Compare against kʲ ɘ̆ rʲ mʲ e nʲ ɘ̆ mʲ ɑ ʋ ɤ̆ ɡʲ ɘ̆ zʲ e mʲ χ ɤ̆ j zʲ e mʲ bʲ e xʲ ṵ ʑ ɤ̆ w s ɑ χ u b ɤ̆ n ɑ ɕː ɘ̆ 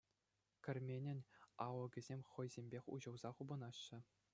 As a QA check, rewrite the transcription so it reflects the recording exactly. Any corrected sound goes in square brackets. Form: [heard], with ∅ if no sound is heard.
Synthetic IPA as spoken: kʲ ɘ̆ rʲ mʲ e nʲ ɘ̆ [nʲ] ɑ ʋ ɤ̆ ɡʲ ɘ̆ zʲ e mʲ χ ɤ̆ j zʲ e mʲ bʲ e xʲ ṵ ʑ ɤ̆ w [z] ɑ χ u b ɤ̆ n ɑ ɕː ɘ̆